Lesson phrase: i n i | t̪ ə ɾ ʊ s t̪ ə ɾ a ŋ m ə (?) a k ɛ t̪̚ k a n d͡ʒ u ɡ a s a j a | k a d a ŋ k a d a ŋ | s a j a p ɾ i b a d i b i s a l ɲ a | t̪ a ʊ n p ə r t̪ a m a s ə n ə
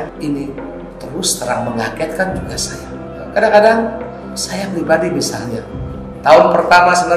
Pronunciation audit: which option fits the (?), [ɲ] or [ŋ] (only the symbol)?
ŋ